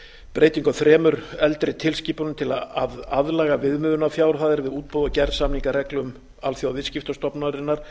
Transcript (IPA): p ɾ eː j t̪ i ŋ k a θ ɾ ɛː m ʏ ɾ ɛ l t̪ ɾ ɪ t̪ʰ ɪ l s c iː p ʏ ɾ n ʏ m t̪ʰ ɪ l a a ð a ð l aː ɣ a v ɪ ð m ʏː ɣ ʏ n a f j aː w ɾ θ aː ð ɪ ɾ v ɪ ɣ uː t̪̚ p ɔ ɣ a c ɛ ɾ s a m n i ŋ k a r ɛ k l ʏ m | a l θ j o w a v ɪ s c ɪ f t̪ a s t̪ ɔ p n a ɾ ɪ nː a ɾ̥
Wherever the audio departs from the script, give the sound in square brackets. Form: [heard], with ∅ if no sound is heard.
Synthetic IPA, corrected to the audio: p ɾ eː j t̪ i ŋ k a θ ɾ ɛː m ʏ ɾ ɛ l t̪ ɾ ɪ t̪ʰ ɪ l s c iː p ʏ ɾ n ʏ m t̪ʰ ɪ l a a ð a ð l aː ɣ a v ɪ ð m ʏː [ð] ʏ n a f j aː w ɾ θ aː ð ɪ ɾ v ɪ [ð] uː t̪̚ p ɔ [ð] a c ɛ ɾ s a m n i ŋ k a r ɛ k l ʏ m | a l θ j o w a v ɪ s c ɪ f t̪ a s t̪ ɔ p n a ɾ ɪ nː a ɾ̥